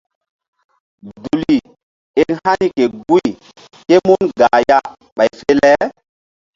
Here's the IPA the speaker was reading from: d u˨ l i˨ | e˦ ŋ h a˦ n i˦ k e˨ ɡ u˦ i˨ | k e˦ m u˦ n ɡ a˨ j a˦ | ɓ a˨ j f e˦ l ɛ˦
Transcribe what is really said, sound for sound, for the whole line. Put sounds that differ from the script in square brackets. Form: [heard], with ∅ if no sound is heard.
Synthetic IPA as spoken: d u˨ l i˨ | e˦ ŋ h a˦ n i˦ k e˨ ɡ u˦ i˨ | k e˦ m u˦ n ɡ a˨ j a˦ | ɓ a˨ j f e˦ l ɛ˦